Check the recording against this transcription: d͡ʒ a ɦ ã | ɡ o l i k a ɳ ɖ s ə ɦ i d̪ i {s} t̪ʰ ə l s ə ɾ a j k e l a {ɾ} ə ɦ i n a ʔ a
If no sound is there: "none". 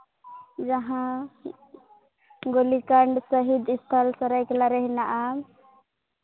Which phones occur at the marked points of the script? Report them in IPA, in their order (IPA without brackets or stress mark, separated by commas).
s, ɾ